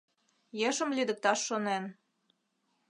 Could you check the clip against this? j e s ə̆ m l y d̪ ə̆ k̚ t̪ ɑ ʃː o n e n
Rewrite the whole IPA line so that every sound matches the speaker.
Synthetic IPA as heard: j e ʃ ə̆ m l y d̪ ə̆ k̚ t̪ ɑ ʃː o n e n